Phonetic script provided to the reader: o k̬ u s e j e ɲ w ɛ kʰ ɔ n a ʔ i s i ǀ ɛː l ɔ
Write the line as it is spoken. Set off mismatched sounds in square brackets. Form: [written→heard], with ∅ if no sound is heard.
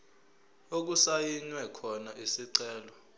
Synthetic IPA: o k̬ u s [e→a] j [e→i] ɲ w ɛ kʰ ɔ n a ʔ i s i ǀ ɛː l ɔ